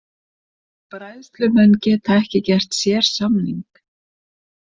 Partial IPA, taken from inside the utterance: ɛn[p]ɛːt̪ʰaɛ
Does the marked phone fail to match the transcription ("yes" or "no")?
yes